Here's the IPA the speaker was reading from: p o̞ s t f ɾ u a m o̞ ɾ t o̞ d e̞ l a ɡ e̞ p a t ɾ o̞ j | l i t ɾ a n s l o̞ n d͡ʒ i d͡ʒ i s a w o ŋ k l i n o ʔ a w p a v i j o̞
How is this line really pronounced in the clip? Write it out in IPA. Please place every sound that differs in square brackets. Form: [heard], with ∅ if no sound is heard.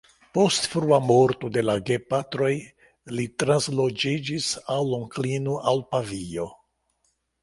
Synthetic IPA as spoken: p o̞ s t f ɾ u a m o̞ ɾ t o̞ d e̞ l a ɡ e̞ p a t ɾ o̞ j | l i t ɾ a n s l o̞ [∅] d͡ʒ i d͡ʒ i s a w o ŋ k l i n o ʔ a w p a v i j o̞